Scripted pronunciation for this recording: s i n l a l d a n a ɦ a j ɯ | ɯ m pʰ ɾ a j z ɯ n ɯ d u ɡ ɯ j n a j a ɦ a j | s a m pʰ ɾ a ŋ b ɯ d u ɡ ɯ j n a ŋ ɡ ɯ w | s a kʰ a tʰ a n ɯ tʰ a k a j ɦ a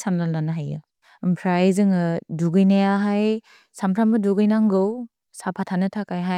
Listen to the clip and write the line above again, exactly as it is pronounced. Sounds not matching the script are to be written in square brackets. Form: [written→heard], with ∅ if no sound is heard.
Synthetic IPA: s [i→a] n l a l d a n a ɦ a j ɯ | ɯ m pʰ ɾ a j z ɯ [n→ŋ] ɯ d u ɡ ɯ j n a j a ɦ a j | s a m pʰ ɾ a [ŋ→m] b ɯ d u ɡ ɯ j n a ŋ ɡ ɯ w | s a [kʰ→pʰ] a tʰ a n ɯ tʰ a k a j ɦ a